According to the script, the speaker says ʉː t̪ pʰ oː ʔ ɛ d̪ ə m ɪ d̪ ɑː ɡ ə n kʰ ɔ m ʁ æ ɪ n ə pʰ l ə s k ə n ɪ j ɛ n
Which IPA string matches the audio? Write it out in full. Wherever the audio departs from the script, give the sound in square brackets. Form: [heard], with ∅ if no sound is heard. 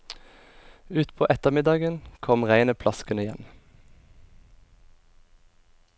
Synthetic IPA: ʉː t̪ pʰ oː ʔ ɛ [t̪] ə m ɪ d̪ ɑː ɡ ə n kʰ ɔ m ʁ æ ɪ n ə pʰ l [ɑ] s k ə n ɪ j ɛ n